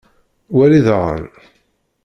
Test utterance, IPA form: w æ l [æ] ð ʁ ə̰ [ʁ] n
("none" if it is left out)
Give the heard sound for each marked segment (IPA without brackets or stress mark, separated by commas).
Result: i, none